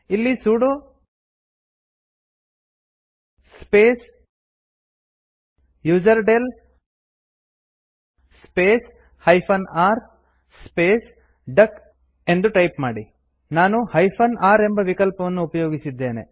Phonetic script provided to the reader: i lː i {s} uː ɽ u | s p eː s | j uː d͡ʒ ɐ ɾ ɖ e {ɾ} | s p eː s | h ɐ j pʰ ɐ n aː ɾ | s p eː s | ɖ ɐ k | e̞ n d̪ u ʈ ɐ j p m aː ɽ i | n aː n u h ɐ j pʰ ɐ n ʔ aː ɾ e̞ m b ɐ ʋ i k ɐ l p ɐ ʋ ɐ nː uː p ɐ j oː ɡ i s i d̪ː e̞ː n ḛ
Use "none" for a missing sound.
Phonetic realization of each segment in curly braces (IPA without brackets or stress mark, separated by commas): s, l